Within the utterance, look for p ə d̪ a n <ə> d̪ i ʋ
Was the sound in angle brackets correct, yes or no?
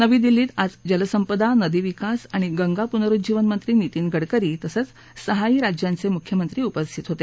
yes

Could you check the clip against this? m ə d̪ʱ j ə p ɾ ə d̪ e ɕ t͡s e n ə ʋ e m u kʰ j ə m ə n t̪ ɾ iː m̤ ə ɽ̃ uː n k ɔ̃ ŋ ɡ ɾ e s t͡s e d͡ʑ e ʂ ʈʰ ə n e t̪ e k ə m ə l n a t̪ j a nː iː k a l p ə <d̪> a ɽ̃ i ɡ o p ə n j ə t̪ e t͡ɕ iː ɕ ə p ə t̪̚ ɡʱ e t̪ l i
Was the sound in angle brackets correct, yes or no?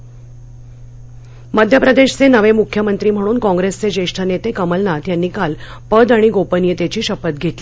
yes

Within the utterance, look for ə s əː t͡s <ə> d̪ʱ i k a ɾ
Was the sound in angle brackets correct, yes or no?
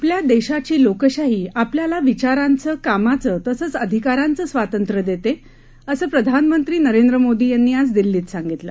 yes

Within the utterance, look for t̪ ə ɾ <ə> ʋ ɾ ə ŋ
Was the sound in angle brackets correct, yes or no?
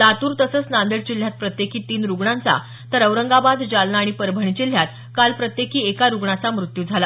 yes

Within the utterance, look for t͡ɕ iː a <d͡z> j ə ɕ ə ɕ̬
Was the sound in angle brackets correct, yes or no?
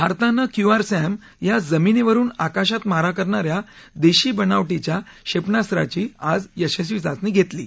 yes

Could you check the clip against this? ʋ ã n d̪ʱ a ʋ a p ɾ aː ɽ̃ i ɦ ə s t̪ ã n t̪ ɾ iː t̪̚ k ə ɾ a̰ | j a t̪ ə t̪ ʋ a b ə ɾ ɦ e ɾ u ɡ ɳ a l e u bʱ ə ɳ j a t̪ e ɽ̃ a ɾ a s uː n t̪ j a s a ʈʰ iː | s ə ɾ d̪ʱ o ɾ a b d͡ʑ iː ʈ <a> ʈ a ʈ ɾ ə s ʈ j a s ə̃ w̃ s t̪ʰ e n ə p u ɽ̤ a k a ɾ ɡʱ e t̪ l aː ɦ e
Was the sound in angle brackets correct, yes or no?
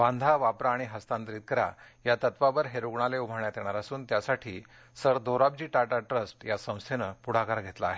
yes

